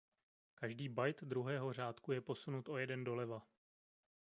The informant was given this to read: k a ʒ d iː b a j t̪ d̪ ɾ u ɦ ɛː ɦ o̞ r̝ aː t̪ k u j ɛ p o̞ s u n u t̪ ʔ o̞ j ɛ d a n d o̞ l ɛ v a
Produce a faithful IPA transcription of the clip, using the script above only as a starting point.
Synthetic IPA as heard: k a ʒ d iː b a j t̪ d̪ ɾ u ɦ ɛː ɦ o̞ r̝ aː t̪ k u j ɛ p o̞ s u n u t̪ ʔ o̞ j ɛ d ɛ n d o̞ l ɛ v a